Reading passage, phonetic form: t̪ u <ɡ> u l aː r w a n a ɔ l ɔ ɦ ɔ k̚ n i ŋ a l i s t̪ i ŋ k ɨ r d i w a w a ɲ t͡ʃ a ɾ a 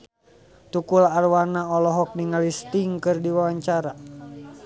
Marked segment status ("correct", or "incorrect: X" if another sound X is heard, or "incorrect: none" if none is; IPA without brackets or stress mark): incorrect: k